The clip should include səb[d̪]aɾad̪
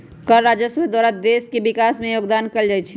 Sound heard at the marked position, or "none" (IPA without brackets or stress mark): d̪